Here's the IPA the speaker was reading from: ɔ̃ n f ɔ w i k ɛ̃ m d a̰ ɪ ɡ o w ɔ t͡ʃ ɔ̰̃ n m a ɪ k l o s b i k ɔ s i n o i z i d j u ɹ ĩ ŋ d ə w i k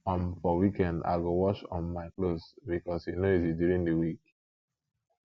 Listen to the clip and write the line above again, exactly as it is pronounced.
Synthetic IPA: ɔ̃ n f ɔ w i k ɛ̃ n d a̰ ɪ ɡ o w ɔ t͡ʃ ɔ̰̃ n m a ɪ k l o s b i k ɔ s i n o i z i d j u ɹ ĩ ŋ d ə w i k